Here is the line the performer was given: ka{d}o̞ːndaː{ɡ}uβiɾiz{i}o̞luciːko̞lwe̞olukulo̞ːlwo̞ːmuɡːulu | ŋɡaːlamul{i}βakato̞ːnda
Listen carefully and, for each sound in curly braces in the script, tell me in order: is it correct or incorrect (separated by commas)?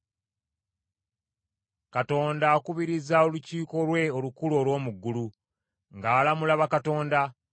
incorrect, incorrect, incorrect, incorrect